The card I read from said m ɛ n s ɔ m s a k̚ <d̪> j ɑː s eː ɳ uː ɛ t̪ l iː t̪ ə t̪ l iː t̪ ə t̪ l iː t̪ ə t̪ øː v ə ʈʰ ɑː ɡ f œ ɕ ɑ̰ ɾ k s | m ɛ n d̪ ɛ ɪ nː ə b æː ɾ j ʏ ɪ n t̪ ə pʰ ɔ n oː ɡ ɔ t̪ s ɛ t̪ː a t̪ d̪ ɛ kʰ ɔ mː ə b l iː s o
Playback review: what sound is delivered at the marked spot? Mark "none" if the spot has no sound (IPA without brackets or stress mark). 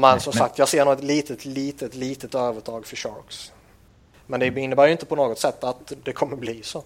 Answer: t̪